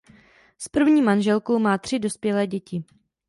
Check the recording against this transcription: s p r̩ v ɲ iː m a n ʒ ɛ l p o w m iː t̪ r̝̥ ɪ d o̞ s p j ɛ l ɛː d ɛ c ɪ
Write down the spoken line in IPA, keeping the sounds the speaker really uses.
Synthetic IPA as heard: s p r̩ v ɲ iː m a n ʒ ɛ l k o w m aː t̪ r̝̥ ɪ d o̞ s p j ɛ l ɛː ɟ ɛ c ɪ